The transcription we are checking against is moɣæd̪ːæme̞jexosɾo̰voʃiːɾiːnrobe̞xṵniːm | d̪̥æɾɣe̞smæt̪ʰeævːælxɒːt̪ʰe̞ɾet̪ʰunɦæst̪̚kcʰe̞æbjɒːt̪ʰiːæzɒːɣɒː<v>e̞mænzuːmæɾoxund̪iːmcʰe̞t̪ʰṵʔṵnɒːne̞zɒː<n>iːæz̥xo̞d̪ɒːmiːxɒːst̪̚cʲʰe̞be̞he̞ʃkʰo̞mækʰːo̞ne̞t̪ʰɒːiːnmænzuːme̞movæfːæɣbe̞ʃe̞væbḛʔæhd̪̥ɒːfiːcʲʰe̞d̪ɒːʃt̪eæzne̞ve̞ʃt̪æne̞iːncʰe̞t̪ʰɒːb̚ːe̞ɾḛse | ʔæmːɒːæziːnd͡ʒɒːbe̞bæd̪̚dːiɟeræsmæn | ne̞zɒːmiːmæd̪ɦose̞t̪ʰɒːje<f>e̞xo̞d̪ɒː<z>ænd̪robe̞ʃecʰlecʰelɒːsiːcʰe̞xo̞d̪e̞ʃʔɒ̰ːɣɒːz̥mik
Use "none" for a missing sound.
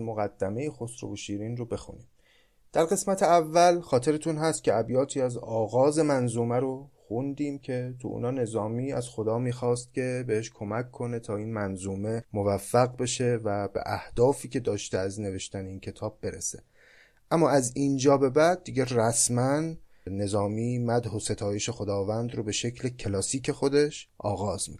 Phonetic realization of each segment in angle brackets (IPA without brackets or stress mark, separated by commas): z, m, ʃ, v